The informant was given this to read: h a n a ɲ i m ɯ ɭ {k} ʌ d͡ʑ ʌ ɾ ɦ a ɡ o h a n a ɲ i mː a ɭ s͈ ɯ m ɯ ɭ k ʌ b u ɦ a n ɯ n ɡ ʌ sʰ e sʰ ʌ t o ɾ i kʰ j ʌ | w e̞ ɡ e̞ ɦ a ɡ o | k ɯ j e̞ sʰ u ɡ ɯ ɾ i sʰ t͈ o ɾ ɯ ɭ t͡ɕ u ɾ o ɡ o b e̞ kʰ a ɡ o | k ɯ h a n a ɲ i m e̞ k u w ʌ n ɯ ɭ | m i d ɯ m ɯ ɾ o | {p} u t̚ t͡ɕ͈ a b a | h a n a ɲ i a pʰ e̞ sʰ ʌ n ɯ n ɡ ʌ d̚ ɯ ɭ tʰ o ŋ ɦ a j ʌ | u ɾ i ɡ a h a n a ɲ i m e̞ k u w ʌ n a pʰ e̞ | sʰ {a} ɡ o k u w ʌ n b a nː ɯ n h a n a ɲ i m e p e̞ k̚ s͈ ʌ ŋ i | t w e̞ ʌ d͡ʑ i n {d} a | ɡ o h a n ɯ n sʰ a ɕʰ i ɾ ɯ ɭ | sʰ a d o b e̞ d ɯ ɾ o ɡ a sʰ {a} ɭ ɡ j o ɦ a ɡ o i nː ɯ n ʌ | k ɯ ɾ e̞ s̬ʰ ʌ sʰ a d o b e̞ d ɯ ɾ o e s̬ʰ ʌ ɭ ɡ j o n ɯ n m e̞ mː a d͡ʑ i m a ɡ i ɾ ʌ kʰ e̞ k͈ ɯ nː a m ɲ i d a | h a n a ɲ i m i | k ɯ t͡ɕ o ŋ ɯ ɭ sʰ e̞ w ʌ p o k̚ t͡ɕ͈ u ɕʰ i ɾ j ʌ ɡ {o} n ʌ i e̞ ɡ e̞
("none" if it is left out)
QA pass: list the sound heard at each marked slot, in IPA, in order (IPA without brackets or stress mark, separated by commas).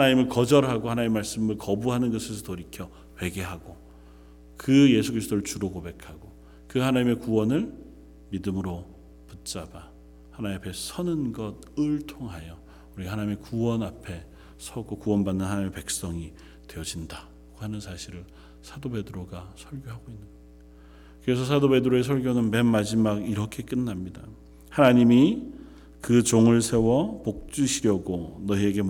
k, p, ʌ, d, ʌ, o